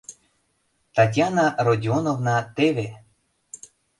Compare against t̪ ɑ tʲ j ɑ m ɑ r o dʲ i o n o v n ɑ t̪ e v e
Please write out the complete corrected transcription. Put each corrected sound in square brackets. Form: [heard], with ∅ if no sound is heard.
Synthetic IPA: t̪ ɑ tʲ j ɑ [n] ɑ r o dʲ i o n o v n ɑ t̪ e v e